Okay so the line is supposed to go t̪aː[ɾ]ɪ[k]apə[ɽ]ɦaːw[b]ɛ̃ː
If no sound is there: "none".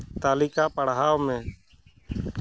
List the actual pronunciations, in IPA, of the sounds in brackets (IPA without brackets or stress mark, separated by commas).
l, k, ɽ, m